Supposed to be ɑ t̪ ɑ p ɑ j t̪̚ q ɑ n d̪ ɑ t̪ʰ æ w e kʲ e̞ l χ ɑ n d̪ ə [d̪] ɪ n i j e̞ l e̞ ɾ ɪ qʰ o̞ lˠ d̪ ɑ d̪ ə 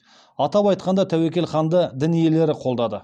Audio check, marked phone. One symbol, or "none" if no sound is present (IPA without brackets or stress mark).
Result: d̪